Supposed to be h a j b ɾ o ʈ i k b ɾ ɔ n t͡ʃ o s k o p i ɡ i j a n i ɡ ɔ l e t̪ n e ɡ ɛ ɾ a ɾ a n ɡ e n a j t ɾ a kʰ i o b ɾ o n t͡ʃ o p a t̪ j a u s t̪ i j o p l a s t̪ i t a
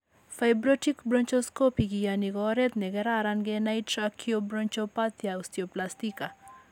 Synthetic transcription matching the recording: f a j b ɾ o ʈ i k b ɾ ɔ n t͡ʃ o s k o p i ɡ i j a n i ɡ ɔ ɾ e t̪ n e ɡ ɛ ɾ a ɾ a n ɡ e n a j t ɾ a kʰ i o b ɾ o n t͡ʃ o p a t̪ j a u s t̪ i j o p l a s t̪ i k a